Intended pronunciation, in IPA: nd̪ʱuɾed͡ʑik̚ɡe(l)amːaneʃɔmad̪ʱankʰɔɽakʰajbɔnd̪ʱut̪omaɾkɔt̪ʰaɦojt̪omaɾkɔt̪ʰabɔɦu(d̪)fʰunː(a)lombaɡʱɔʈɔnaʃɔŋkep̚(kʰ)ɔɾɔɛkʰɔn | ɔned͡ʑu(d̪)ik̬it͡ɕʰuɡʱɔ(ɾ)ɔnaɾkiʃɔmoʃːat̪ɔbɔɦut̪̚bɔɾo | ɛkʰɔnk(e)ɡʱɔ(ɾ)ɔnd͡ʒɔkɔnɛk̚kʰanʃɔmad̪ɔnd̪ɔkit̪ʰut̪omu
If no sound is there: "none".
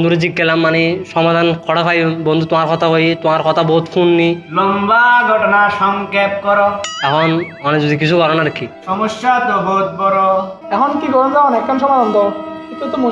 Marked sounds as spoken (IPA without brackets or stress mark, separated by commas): l, t̪, i, k, d̪, ɾ, i, ɾ